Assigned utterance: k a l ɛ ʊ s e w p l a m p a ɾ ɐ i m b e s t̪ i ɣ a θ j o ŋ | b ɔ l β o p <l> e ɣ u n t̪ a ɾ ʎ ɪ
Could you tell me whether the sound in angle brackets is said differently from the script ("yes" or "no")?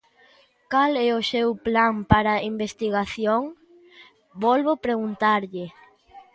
yes